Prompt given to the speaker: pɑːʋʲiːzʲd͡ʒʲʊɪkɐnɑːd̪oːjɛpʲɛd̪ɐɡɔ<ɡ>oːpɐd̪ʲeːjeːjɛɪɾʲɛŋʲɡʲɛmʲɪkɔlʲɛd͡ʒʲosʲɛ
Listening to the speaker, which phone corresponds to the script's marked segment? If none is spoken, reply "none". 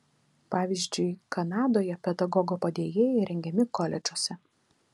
ɡ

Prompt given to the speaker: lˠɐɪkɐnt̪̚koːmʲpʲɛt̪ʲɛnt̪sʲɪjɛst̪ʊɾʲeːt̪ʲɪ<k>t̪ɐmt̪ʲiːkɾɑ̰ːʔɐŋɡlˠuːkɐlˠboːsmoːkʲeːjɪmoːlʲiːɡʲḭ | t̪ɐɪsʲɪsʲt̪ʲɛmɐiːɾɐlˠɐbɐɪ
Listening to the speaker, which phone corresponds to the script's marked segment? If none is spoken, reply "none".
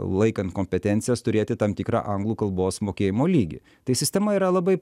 none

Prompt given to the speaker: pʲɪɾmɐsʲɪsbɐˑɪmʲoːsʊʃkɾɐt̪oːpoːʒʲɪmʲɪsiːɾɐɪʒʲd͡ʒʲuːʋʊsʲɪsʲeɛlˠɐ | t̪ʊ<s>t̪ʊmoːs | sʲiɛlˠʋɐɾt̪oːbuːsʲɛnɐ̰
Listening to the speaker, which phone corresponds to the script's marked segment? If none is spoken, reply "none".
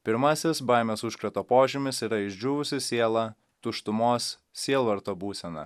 ʃ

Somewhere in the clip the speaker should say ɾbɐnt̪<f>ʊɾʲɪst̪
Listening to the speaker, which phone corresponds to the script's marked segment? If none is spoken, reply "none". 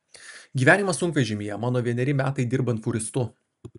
f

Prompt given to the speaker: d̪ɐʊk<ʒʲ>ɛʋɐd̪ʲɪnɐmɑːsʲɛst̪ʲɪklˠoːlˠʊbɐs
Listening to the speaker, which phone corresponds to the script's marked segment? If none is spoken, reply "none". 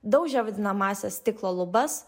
ʒʲ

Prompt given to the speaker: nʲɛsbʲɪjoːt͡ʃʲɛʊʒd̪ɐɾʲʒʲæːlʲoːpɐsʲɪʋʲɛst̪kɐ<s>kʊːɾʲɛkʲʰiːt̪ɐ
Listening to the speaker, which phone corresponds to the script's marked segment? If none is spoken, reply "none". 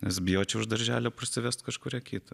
ʃ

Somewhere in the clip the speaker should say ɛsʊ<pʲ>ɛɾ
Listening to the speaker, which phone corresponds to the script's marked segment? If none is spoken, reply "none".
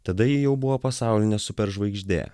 pʲ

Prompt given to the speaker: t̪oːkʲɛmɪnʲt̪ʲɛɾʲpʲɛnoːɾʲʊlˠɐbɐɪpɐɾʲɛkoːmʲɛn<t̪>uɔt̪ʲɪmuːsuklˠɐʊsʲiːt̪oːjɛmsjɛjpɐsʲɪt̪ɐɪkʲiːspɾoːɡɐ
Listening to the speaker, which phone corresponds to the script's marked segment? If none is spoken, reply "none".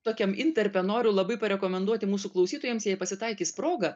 d̪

